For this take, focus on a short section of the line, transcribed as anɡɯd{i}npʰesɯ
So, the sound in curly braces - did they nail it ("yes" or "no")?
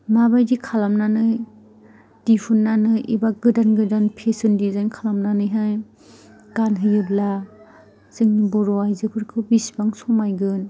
no